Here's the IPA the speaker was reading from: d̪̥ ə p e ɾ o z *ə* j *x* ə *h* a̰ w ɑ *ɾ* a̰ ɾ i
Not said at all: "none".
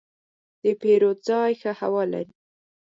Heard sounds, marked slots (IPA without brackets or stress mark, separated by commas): ɑ, x, h, l